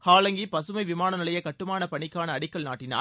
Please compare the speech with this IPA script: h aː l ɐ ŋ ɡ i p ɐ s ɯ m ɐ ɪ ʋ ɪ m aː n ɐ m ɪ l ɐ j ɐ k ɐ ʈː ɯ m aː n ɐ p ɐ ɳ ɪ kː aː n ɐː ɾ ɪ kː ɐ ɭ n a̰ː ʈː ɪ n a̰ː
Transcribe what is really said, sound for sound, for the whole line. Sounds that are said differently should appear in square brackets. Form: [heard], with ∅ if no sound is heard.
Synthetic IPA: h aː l ɐ ŋ ɡ i p ɐ s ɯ m ɐ ɪ ʋ ɪ m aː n ɐ [n] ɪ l ɐ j ɐ k ɐ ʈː ɯ m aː n ɐ p ɐ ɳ ɪ kː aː n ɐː [ɽ] ɪ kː ɐ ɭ n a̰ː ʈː ɪ n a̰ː